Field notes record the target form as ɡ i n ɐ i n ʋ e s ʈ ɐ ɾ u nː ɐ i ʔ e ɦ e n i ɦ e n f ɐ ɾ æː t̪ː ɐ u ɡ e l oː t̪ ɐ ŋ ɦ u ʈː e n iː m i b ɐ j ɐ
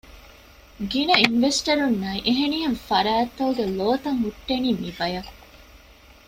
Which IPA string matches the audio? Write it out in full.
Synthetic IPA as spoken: ɡ i n ɐ i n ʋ e s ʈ ɐ ɾ u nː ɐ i ʔ e ɦ e n i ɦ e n f ɐ ɾ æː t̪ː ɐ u ɡ e l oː t̪ ɐ ŋ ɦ u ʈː e n iː m i b ɐ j ɐ